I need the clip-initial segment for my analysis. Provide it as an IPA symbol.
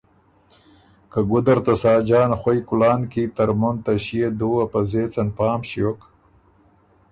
k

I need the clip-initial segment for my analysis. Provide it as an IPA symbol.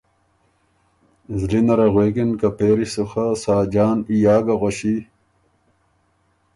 z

